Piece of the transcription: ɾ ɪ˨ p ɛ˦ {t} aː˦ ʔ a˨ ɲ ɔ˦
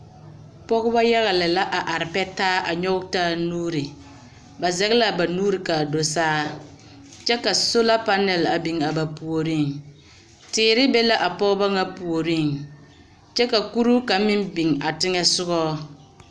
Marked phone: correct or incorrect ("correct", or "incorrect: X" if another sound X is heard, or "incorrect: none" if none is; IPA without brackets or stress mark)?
correct